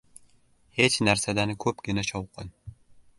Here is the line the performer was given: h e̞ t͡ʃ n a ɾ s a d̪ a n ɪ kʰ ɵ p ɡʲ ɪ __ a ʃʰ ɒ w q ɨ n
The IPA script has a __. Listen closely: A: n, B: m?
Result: A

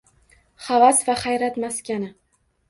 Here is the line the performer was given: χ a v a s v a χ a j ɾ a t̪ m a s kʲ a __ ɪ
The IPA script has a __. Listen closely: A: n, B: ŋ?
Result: A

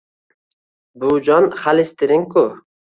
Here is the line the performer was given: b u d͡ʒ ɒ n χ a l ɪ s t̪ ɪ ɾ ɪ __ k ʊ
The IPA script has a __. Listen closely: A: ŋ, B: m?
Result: A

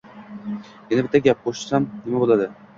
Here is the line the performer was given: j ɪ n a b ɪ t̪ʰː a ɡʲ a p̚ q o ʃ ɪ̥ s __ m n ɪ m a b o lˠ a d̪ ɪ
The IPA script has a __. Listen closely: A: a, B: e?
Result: A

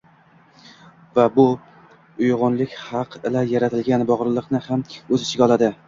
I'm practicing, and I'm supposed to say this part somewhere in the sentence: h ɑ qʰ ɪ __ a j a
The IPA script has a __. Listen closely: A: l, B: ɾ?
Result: A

